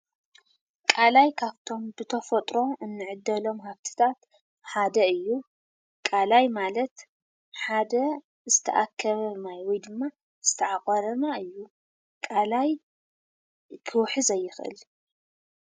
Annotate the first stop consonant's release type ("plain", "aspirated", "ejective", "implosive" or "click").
ejective